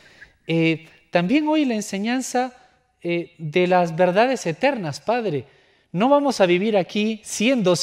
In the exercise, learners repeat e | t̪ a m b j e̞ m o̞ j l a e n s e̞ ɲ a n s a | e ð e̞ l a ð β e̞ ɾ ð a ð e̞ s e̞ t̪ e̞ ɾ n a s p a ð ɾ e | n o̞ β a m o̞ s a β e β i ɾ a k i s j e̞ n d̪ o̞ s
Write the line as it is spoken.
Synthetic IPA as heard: e | t̪ a m b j e̞ ŋ o̞ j l a e n s e̞ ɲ a n s a | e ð e̞ l a z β e̞ ɾ ð a ð e̞ s e̞ t̪ e̞ ɾ n a s p a ð ɾ e | n o̞ β a m o̞ s a β i β i ɾ a k i s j e̞ n d̪ o̞ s